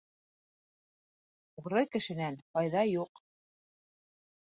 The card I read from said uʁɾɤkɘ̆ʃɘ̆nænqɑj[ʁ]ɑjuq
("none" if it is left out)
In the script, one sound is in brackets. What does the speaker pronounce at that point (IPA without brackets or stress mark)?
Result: ð